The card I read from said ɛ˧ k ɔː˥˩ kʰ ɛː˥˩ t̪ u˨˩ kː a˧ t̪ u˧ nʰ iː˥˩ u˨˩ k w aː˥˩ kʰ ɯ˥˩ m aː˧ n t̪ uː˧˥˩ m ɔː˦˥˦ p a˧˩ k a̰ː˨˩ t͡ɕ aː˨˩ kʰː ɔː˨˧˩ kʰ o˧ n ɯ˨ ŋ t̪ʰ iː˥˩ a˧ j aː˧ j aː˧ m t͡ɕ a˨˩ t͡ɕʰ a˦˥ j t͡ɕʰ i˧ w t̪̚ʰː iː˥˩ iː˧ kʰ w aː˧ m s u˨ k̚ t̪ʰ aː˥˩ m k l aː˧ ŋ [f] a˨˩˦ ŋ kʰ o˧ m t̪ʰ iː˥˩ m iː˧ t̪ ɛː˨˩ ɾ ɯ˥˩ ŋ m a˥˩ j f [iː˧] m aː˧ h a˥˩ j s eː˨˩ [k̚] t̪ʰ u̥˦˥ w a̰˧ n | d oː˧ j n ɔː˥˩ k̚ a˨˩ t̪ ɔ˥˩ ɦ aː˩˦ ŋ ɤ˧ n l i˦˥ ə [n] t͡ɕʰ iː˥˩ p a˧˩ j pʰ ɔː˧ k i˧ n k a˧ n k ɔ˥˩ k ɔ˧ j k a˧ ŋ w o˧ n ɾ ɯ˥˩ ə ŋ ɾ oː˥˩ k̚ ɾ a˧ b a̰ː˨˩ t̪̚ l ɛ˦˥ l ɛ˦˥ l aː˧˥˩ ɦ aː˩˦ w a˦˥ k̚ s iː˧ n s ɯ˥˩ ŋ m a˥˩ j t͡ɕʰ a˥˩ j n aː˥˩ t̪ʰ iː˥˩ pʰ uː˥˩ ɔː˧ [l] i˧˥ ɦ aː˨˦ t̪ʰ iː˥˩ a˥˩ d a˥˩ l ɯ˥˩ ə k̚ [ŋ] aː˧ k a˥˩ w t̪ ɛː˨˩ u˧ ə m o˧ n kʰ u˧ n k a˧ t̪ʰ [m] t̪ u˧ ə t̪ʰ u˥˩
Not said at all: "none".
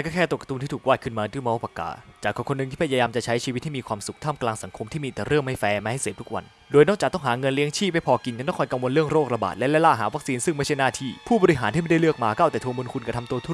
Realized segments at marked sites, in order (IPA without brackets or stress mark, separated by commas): s, ɛː˧, p̚, ŋ, ɾ, m, m